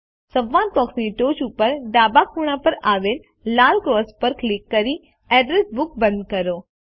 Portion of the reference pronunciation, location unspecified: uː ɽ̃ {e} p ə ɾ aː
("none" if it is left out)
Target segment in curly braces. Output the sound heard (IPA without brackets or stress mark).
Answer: a